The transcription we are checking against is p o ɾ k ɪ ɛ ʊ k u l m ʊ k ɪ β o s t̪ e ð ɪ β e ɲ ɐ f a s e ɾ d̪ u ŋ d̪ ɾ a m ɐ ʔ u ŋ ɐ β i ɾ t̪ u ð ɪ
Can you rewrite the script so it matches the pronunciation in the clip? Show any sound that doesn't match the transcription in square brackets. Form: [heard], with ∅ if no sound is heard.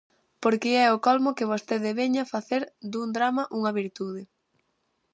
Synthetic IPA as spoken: p o ɾ k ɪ ɛ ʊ k [ɔ] l m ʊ k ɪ β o s t̪ e ð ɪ β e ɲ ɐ f a [θ] e ɾ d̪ u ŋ d̪ ɾ a m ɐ ʔ u ŋ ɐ β i ɾ t̪ u ð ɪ